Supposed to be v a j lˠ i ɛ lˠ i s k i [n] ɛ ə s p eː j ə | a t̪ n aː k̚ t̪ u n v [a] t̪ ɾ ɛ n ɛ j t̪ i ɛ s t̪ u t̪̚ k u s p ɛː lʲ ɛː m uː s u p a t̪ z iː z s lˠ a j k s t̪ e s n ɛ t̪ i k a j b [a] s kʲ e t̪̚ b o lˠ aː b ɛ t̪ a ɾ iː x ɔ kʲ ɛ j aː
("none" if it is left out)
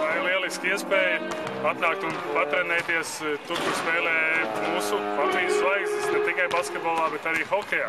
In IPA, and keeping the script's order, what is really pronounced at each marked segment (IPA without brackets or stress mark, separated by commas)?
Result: none, a, a